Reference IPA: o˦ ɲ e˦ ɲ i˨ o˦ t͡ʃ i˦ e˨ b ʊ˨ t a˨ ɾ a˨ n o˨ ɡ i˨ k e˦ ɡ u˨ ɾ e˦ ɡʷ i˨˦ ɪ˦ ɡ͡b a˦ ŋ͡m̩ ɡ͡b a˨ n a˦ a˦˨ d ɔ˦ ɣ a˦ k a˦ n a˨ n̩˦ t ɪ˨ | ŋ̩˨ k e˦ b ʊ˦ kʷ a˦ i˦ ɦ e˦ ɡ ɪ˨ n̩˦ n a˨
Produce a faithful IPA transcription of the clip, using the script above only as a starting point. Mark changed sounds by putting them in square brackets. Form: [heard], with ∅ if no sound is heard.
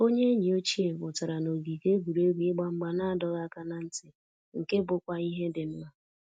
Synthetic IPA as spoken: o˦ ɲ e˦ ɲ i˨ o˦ t͡ʃ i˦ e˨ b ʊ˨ t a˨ ɾ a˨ n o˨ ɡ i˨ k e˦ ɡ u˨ ɾ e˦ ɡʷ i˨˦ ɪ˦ ɡ͡b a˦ ŋ͡m̩ ɡ͡b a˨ n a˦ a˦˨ d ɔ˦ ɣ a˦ k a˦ n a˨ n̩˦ t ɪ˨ | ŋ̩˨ k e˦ b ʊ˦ kʷ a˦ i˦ ɦ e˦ [d] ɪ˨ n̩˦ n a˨